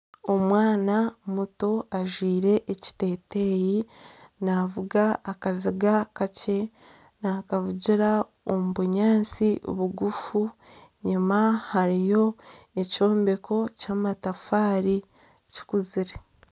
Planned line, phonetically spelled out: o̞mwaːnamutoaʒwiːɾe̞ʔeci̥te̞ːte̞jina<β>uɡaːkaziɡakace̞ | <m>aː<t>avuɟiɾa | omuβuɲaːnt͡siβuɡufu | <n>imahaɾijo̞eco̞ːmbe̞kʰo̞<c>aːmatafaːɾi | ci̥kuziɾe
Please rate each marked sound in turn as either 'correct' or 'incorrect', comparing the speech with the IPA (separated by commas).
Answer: incorrect, incorrect, incorrect, incorrect, correct